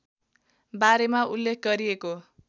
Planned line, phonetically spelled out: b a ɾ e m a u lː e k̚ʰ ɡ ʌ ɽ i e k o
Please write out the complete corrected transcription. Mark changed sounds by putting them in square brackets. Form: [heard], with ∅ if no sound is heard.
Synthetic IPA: b a ɾ e m a u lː e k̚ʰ ɡ ʌ [ɾ] i e k o